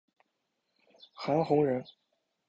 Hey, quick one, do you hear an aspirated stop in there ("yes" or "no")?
no